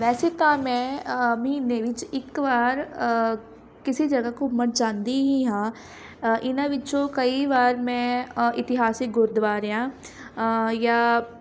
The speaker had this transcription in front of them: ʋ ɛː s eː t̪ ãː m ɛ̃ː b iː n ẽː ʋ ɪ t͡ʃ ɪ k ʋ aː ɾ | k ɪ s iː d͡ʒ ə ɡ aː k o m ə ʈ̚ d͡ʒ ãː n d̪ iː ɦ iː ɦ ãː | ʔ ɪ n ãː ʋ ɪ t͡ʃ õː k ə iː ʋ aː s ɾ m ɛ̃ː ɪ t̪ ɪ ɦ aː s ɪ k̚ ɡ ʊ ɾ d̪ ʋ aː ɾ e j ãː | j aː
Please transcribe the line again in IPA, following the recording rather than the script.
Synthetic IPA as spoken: ʋ ɛː s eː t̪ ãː m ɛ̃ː m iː n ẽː ʋ ɪ t͡ʃ ɪ k ʋ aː ɾ | k ɪ s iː d͡ʒ ə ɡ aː k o m ə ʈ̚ d͡ʒ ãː n d̪ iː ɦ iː ɦ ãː | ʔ ɪ n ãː ʋ ɪ t͡ʃ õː k ə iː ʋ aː ɾ m ɛ̃ː ɪ t̪ ɪ ɦ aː s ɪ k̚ ɡ ʊ ɾ d̪ ʋ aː ɾ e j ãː | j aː